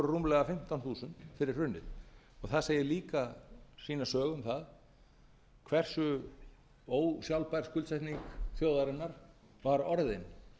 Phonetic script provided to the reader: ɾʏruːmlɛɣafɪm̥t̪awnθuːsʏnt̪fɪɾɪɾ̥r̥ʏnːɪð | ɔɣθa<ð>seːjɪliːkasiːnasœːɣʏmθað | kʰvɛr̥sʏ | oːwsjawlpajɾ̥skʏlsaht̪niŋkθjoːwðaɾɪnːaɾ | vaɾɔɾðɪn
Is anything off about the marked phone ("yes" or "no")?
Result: no